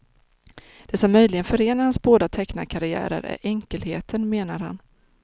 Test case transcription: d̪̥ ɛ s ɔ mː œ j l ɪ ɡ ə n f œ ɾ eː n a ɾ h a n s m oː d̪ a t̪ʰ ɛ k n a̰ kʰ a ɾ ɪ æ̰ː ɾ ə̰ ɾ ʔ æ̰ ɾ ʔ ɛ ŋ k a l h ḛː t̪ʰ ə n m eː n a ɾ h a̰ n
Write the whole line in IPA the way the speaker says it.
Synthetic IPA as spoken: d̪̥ ɛ s ɔ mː œ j l ɪ ɡ ə n f œ ɾ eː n a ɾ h a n s b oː d̪ a t̪ʰ ɛ k n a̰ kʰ a ɾ ɪ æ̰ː ɾ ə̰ ɾ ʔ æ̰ ɾ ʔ ɛ ŋ k ə l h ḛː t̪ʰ ə n m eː n a ɾ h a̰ n